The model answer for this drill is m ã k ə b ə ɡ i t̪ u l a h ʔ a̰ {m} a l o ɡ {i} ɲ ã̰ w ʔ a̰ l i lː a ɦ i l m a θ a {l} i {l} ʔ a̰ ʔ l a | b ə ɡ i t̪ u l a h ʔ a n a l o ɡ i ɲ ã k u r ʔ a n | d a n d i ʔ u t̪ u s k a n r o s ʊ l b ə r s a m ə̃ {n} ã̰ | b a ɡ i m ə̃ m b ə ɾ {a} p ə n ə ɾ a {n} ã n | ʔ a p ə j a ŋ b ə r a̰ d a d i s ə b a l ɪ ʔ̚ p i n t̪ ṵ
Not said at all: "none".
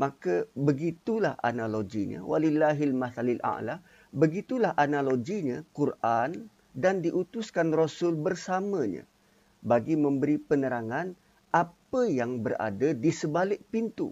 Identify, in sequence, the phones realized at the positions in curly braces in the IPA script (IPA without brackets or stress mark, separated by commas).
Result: n, i, l, l, ɲ, i, ŋ